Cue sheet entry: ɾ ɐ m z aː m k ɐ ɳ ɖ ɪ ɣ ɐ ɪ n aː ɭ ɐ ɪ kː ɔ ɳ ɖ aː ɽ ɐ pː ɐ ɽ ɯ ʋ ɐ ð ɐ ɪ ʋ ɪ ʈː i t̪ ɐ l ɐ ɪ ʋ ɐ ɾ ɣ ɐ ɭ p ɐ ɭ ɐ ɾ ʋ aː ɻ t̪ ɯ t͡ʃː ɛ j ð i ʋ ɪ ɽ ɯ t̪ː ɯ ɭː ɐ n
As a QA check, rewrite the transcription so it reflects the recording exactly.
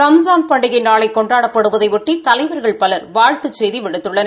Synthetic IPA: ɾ ɐ m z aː m p ɐ ɳ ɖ ɪ ɣ ɐ ɪ n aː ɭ ɐ ɪ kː ɔ ɳ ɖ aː ɽ ɐ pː ɐ ɽ ɯ ʋ ɐ ð ɐ ɪ ʋ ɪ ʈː i t̪ ɐ l ɐ ɪ ʋ ɐ ɾ ɣ ɐ ɭ p ɐ l ɐ ɾ ʋ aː ɻ t̪ ɯ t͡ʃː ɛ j ð i ʋ ɪ ɽ ɯ t̪ː ɯ ɭː ɐ n